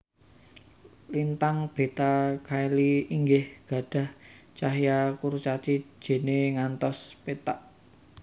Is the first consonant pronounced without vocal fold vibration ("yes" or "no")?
no